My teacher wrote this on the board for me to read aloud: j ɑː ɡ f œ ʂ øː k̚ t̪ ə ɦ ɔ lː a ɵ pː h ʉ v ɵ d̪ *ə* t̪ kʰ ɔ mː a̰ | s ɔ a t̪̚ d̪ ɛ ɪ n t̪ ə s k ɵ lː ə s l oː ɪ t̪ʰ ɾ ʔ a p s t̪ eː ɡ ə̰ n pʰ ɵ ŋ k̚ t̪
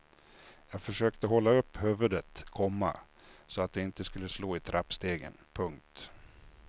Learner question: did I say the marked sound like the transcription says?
yes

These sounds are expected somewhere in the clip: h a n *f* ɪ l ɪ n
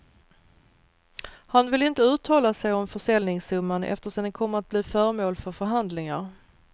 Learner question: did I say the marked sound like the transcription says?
no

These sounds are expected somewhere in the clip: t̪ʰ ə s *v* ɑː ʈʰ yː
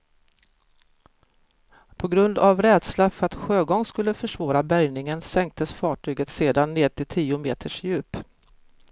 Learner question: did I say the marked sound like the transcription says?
no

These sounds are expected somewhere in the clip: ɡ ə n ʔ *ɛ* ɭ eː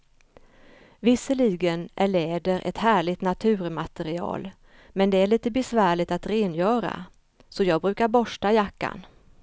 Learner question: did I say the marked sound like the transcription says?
no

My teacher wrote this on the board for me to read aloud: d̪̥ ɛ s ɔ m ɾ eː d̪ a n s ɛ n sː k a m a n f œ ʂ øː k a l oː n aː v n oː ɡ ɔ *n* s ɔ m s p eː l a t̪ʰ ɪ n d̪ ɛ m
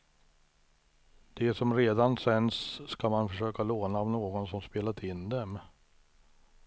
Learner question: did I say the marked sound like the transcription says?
yes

